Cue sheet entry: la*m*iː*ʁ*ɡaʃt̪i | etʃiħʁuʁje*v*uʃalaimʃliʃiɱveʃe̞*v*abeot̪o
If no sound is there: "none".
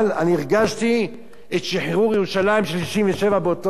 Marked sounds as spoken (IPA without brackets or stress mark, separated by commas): n, ʁ, ʁ, v